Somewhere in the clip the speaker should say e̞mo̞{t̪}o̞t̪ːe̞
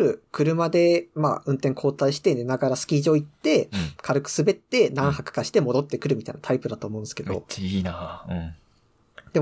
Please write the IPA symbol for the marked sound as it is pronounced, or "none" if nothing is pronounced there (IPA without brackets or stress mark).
d̪